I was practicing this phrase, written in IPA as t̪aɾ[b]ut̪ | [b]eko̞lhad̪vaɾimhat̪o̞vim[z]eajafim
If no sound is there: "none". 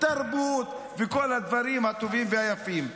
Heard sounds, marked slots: b, v, v

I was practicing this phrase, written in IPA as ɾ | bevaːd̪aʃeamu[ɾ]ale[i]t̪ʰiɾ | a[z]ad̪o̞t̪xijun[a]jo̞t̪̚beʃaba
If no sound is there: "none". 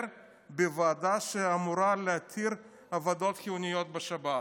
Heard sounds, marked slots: ɾ, a, v, i

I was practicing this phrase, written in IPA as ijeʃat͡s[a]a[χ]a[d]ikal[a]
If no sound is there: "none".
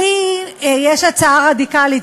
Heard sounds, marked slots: a, ʁ, d, i

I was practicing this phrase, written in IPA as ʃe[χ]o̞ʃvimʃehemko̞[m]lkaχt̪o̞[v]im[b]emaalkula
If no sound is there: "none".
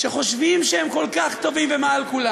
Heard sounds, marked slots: χ, none, v, v

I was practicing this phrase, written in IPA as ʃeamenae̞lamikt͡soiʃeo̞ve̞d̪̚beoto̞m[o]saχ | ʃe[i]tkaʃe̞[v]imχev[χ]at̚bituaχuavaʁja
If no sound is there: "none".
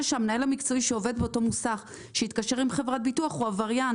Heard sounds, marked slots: u, i, ʁ, ʁ

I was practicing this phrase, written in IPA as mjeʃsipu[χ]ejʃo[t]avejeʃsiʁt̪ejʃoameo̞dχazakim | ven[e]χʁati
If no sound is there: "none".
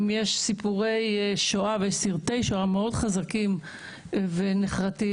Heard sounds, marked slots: ʁ, none, e

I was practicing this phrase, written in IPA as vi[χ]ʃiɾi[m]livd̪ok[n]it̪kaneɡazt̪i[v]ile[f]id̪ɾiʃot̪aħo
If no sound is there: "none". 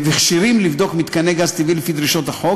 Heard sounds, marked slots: χ, m, m, v, f

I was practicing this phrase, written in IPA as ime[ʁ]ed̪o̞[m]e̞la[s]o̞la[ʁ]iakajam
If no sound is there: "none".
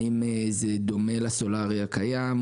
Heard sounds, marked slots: z, m, s, ʁ

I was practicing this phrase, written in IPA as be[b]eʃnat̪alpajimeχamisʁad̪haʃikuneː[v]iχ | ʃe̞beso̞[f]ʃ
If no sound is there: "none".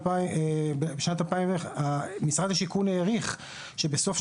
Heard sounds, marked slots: b, ʁ, f

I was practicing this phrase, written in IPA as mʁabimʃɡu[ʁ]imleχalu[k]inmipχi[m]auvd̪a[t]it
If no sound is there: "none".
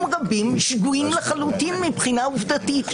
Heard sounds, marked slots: none, t, n, t

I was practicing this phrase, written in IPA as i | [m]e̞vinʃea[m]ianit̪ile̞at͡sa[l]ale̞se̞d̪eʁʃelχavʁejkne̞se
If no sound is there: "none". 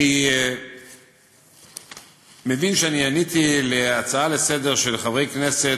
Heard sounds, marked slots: m, n, none

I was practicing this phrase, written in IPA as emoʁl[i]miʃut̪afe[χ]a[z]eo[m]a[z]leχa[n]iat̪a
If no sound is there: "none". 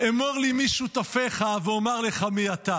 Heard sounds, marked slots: i, χ, v, m, ʁ, m

